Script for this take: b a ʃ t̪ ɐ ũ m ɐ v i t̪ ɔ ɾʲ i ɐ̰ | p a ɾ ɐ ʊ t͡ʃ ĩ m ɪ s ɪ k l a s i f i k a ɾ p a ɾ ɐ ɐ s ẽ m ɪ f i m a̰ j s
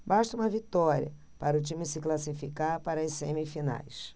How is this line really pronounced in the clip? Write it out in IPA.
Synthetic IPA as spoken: b a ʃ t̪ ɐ ũ m ɐ v i t̪ ɔ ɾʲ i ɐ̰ | p a ɾ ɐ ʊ t͡ʃ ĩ m ɪ s ɪ k l a s i f i k a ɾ p a ɾ ɐ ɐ s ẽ m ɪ f i n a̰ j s